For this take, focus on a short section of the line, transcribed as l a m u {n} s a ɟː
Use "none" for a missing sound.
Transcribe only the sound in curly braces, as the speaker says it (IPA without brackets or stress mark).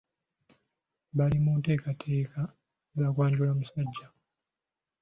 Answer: none